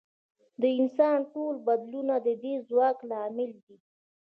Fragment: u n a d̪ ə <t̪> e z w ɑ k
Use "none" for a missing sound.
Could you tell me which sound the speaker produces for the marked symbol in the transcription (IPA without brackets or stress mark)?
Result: d̪